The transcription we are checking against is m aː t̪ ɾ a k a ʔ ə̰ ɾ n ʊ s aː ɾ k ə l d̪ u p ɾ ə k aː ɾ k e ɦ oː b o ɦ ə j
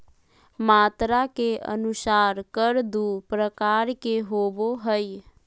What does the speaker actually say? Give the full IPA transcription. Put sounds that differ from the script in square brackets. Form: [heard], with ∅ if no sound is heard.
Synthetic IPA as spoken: m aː t̪ ɾ a k [e] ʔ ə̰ [∅] n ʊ s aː ɾ k ə [ɾ] d̪ u p ɾ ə k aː ɾ k e ɦ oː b o ɦ ə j